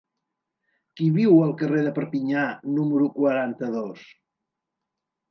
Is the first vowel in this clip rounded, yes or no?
no